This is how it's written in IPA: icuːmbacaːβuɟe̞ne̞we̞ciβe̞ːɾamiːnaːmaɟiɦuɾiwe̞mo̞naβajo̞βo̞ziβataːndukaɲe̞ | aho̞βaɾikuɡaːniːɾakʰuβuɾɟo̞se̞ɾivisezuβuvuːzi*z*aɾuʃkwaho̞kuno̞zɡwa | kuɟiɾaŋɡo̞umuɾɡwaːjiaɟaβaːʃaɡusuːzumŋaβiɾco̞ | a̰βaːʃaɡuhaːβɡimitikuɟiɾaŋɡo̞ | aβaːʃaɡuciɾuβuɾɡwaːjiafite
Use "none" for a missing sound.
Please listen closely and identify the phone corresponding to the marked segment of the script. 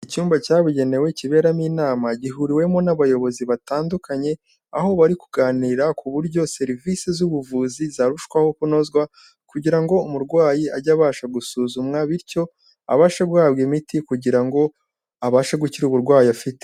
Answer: z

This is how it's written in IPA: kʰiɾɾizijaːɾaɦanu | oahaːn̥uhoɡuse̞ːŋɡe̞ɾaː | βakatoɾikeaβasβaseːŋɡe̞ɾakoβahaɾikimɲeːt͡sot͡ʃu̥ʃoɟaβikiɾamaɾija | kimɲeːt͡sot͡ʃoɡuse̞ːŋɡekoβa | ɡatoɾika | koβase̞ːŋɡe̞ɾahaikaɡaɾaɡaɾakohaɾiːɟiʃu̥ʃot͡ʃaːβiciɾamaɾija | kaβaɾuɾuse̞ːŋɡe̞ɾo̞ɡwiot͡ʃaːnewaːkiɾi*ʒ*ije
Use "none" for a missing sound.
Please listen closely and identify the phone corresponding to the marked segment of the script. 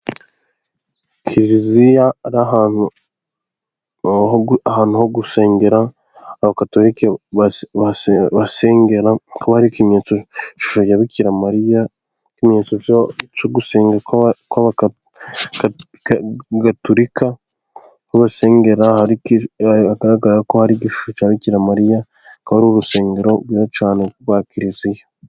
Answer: z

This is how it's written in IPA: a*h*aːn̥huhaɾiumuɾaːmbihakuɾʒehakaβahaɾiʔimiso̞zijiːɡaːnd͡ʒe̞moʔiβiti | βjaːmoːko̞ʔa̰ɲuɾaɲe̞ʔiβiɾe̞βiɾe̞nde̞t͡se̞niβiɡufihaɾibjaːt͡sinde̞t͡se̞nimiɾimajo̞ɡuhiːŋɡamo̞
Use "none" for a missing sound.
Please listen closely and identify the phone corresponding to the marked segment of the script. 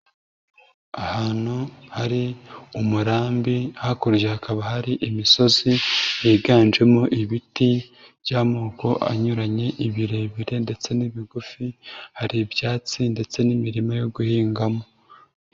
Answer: h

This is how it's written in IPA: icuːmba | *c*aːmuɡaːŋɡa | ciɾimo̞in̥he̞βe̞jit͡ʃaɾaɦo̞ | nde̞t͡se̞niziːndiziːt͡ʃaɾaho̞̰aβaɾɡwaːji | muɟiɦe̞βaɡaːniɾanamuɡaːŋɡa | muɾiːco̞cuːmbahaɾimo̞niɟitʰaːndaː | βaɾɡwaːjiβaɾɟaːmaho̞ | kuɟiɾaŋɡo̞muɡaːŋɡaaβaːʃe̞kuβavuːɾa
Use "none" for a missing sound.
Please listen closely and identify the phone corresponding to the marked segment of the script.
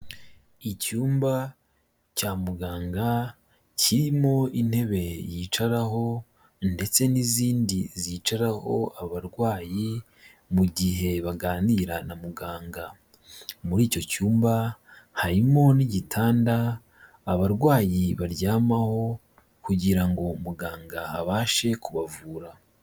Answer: c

